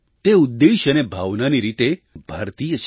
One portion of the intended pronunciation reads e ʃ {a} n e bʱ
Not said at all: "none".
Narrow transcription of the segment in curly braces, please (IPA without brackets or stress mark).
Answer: ə